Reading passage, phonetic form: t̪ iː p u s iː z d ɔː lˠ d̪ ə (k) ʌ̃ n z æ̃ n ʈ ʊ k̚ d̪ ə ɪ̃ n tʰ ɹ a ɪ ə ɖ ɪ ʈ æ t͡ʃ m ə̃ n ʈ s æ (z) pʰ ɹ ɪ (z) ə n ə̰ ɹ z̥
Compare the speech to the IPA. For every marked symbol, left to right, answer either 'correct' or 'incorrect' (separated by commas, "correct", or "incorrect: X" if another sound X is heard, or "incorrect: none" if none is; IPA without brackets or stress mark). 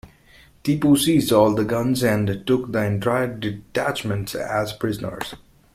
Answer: incorrect: ɡ, correct, correct